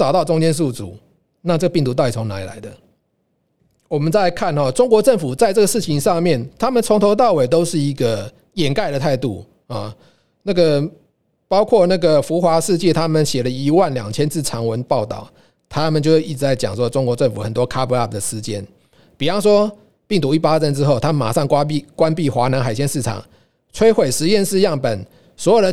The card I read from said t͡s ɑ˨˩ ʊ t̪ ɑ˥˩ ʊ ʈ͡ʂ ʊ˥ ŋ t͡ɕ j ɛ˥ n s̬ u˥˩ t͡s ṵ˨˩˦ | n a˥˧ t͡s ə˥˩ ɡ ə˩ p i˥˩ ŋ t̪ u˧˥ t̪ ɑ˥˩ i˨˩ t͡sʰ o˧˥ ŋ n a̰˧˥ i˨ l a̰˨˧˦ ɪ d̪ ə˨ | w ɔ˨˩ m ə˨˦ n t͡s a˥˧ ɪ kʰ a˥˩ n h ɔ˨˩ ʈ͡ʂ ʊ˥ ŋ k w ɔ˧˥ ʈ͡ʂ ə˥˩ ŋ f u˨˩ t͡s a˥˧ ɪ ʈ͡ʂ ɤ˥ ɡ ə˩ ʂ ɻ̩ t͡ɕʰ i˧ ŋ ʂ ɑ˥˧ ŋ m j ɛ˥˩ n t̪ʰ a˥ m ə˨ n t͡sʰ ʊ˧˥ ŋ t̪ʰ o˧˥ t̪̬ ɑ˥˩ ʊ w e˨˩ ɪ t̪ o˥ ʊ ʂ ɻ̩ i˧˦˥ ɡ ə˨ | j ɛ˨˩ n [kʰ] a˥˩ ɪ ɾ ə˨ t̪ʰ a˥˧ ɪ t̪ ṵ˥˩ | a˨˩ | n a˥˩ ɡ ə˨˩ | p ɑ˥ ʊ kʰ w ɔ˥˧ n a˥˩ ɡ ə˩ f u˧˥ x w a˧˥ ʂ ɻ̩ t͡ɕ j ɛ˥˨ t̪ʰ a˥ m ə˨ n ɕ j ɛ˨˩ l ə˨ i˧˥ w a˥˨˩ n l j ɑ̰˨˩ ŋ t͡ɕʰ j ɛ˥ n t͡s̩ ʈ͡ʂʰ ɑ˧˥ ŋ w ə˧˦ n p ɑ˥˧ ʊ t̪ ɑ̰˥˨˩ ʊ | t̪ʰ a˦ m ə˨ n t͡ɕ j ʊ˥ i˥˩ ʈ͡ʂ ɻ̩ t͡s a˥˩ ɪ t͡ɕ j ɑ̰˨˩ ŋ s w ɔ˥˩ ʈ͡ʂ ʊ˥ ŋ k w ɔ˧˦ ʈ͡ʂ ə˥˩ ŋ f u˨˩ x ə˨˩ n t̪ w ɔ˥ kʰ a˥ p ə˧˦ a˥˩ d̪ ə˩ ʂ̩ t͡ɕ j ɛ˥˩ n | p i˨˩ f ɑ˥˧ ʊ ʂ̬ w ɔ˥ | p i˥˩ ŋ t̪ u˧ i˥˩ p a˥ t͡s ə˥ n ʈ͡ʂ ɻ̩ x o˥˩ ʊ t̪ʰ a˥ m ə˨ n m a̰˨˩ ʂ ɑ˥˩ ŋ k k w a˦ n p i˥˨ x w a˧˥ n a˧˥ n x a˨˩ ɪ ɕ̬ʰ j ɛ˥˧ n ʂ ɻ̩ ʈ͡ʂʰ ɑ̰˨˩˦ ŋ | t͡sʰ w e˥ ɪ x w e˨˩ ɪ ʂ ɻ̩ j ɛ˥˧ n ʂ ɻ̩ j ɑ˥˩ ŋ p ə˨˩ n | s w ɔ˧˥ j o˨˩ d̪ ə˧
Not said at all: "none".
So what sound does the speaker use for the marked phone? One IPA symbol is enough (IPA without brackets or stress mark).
k